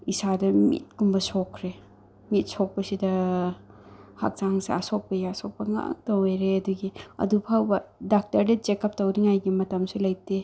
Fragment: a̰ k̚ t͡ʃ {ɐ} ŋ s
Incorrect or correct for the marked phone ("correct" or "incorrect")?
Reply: incorrect